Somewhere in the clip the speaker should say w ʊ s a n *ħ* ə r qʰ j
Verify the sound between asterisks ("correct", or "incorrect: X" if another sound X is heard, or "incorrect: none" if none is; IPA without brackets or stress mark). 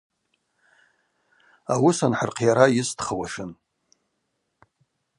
correct